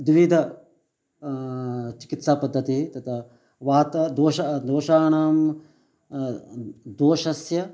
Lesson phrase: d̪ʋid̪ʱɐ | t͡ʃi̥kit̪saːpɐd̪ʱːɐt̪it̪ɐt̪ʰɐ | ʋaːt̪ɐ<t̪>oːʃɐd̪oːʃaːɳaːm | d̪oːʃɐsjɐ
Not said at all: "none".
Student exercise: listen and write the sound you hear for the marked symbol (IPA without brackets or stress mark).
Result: d̪